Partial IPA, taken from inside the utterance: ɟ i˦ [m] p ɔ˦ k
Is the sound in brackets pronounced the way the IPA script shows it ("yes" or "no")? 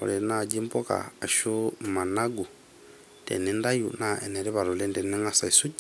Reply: yes